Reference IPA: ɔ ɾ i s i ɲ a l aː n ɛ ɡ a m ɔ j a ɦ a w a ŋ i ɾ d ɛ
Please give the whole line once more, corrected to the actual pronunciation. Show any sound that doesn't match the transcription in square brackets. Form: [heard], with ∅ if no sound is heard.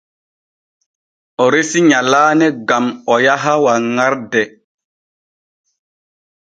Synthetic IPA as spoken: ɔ ɾ [e] s i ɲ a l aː n ɛ ɡ a m ɔ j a ɦ a w a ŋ [a] ɾ d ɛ